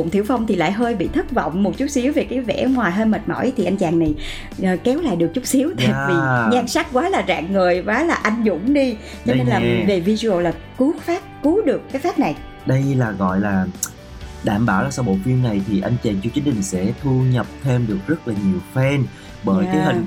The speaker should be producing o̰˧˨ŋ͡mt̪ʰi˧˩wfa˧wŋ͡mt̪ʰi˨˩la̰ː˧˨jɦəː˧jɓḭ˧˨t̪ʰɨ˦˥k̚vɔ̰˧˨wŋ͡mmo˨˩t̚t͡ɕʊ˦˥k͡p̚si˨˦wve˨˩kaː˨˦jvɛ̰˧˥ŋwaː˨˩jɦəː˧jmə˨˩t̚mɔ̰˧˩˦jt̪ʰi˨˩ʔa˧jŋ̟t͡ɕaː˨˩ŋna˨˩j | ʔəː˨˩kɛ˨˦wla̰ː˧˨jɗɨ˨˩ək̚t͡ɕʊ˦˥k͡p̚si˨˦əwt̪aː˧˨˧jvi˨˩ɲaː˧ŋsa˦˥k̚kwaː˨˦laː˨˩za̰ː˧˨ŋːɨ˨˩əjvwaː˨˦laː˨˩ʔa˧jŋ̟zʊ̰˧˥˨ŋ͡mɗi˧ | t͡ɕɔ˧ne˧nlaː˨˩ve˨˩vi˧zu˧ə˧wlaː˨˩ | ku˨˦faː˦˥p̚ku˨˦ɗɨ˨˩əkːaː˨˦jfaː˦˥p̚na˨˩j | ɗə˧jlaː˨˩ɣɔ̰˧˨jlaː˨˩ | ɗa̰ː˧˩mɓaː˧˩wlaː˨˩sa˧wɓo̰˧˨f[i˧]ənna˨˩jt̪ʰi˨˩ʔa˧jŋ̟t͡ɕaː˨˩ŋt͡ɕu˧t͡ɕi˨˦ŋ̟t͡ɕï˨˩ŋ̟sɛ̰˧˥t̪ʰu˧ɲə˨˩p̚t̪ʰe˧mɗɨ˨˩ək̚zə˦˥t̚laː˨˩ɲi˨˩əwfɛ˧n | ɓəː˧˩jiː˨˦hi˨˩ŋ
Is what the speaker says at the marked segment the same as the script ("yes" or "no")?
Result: yes